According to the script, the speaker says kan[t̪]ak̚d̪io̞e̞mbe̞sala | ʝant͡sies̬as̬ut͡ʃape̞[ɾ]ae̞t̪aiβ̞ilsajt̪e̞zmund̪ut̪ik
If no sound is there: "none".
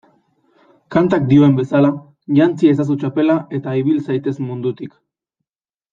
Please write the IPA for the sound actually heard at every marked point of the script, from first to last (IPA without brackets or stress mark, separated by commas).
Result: t̪, l